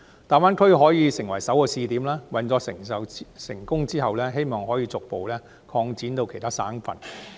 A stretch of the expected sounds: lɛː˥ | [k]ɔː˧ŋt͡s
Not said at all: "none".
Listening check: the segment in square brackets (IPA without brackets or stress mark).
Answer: kʰ